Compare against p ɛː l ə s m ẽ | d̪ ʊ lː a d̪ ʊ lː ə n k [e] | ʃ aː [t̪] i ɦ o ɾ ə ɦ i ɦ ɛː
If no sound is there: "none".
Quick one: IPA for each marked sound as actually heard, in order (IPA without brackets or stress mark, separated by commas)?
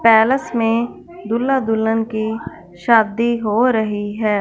i, d̪